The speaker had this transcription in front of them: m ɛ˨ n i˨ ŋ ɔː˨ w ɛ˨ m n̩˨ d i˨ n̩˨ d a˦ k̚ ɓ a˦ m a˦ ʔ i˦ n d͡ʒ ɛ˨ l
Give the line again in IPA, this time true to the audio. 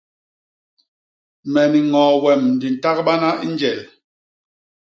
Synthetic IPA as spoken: m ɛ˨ n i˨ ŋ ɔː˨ w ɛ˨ m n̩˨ d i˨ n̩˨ t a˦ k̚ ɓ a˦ n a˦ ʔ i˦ n d͡ʒ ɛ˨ l